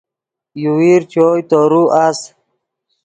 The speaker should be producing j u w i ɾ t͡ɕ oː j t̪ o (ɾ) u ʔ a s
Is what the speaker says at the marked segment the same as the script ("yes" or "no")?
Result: yes